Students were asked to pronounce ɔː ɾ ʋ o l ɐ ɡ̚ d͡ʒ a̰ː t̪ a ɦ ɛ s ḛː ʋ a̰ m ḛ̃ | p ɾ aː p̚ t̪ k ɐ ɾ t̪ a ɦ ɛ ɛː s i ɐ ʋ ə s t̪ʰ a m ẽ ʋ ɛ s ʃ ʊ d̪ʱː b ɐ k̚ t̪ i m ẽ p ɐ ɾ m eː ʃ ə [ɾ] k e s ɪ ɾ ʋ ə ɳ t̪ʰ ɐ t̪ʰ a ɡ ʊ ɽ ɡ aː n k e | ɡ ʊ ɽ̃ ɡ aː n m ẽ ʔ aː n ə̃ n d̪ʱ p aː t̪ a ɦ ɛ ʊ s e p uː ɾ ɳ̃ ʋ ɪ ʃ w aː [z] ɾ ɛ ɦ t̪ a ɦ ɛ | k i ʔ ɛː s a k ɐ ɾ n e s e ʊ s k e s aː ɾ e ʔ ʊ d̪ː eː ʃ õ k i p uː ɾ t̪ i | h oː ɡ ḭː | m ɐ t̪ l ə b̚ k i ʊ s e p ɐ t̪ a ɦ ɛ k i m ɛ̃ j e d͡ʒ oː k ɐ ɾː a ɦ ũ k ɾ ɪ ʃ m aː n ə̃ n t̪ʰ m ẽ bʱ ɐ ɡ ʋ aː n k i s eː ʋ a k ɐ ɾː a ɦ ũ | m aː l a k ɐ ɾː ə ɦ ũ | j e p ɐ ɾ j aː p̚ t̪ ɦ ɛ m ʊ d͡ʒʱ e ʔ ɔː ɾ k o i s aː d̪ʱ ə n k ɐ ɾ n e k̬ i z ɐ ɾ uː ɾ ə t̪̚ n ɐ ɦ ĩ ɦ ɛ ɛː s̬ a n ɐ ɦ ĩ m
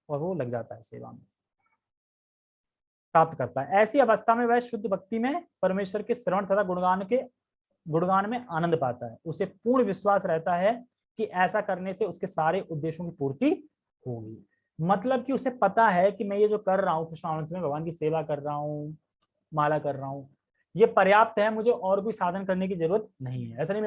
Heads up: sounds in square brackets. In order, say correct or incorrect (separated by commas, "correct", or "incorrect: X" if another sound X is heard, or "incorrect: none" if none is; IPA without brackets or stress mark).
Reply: correct, incorrect: s